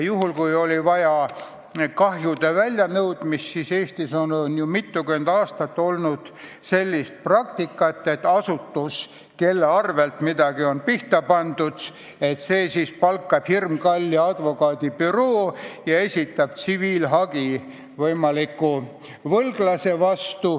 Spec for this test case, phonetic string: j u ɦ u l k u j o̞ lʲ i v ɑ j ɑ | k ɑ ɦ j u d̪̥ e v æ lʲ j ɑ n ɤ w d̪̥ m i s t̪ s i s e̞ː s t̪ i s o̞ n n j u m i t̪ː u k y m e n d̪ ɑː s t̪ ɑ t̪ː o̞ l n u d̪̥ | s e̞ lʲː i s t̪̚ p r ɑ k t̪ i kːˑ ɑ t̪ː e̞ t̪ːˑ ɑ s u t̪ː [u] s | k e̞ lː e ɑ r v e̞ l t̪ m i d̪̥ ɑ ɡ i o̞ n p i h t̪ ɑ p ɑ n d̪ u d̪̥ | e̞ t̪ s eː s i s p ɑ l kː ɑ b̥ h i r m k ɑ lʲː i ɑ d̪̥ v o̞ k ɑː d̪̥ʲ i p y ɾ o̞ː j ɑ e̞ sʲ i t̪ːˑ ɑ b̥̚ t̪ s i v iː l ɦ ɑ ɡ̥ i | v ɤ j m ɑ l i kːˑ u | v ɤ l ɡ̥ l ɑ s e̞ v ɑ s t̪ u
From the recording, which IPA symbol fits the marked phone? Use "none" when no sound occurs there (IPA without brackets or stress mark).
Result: u